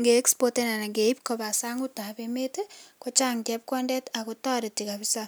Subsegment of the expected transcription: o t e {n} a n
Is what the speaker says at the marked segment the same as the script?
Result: yes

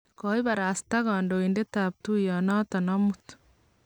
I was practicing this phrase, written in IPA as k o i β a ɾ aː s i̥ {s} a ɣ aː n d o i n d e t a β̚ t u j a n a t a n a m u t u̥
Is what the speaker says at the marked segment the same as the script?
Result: no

